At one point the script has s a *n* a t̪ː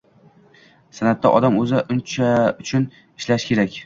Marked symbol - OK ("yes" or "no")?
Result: yes